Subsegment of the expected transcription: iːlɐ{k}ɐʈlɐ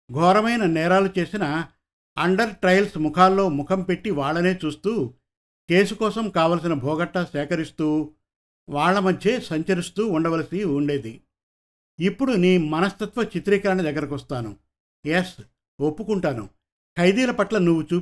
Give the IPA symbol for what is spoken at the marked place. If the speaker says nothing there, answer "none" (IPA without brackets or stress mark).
p